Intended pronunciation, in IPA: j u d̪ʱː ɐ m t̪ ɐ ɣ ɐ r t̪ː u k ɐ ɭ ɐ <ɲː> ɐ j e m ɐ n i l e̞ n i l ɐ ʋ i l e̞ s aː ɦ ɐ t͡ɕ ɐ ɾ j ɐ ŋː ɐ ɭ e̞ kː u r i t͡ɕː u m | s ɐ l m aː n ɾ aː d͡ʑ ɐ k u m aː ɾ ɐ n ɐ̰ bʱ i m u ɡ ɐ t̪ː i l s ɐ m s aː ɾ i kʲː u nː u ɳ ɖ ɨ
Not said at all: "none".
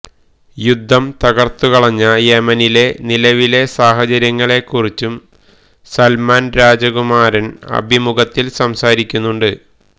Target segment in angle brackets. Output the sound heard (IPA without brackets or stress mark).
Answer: ɲː